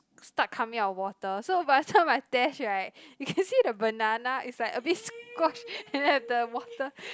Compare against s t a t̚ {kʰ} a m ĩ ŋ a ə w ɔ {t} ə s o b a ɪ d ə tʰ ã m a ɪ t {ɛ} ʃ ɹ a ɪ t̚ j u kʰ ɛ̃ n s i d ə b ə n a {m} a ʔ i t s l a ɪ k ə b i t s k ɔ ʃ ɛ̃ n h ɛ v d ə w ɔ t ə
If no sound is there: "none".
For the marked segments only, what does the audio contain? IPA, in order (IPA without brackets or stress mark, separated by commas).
kʰ, t, ɛ, n